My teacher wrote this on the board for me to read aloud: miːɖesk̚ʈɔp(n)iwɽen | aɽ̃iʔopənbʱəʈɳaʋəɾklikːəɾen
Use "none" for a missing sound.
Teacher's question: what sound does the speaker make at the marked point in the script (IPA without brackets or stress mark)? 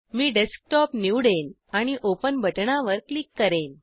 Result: n